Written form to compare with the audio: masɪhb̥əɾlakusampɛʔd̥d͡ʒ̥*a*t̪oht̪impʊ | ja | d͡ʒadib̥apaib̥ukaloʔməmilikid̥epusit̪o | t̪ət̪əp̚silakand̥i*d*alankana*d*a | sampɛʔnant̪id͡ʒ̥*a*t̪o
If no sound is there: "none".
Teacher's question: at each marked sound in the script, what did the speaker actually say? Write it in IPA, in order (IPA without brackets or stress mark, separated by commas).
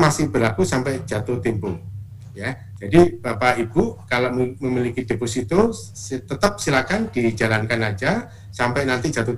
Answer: a, d͡ʒ, d͡ʒ, a